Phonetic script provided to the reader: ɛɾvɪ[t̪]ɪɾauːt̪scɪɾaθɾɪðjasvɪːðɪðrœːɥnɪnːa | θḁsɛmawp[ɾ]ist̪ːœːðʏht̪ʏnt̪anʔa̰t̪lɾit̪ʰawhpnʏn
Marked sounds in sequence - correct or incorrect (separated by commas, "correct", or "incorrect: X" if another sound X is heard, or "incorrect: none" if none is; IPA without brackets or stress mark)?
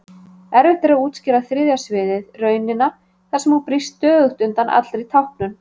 correct, correct